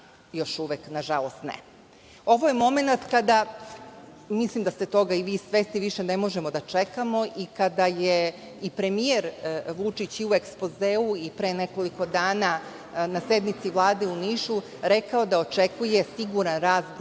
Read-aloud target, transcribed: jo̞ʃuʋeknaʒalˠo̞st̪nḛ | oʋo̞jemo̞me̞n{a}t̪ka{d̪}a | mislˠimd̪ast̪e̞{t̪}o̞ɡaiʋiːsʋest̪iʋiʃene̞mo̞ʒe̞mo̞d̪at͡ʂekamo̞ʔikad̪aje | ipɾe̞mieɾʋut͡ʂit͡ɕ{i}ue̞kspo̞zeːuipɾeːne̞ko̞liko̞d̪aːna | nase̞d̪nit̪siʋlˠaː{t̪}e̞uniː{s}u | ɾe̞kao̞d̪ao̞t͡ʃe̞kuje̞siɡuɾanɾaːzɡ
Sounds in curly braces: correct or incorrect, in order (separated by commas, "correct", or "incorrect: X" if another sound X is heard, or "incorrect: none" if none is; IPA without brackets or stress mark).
correct, correct, correct, correct, incorrect: d̪, incorrect: ʃ